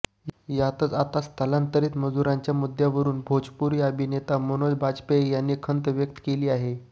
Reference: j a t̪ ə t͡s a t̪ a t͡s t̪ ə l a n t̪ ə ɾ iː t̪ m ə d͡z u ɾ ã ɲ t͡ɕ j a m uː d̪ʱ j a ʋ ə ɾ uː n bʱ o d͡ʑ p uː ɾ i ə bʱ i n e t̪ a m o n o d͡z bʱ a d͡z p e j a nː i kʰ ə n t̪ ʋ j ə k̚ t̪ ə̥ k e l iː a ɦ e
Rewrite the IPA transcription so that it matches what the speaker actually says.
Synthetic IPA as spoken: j a t̪ ə t͡s a t̪ a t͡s t̪ ə l a n t̪ ə ɾ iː t̪ m ə d͡z u ɾ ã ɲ t͡ɕ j a m u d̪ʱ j a ʋ ə ɾ uː n bʱ o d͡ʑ p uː ɾ i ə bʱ i n e t̪ a m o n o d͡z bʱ a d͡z p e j a nː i kʰ ə n t̪ ʋ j ə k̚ t̪ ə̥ k e l iː a ɦ e